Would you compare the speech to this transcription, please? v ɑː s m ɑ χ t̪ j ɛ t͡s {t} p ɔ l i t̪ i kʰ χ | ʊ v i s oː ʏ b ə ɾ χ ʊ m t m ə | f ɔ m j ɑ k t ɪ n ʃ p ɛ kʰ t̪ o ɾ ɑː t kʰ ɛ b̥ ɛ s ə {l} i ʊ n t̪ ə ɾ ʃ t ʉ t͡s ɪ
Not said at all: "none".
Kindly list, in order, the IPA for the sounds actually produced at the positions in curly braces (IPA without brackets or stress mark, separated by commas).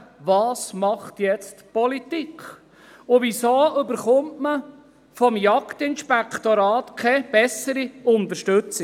t, ɾ